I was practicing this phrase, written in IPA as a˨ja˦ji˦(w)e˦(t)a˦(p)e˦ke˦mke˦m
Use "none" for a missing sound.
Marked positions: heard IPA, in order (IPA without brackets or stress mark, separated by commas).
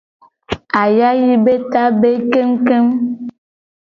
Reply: b, t, b